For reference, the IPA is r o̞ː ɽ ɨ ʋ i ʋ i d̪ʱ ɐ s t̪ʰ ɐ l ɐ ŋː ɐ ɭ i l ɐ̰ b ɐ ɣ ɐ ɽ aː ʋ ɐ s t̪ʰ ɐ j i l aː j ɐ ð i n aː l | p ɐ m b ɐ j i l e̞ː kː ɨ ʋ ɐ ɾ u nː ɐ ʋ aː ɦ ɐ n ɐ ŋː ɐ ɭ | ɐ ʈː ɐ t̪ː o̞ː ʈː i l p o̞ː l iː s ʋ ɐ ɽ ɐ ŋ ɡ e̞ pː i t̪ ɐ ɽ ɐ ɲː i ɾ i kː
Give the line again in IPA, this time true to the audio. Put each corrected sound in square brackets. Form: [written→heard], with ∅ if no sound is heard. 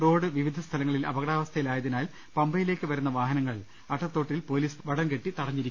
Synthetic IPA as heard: r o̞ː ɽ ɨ ʋ i ʋ i d̪ʱ ɐ s t̪ʰ ɐ l ɐ ŋː ɐ ɭ i l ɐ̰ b ɐ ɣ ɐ ɽ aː ʋ ɐ s t̪ʰ ɐ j i l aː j ɐ ð i n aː l | p ɐ m b ɐ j i l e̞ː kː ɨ ʋ ɐ ɾ u nː ɐ ʋ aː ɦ ɐ n ɐ ŋː ɐ ɭ | ɐ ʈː ɐ t̪ː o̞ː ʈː i l p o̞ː l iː s ʋ ɐ ɽ ɐ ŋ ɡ e̞ [pː→ʈː] i t̪ ɐ ɽ ɐ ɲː i ɾ i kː